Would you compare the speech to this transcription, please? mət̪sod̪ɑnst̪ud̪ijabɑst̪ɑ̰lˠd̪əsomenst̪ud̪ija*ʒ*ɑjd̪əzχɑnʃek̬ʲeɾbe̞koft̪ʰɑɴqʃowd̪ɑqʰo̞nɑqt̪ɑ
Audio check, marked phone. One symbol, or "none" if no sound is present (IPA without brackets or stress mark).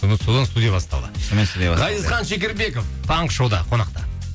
ʁ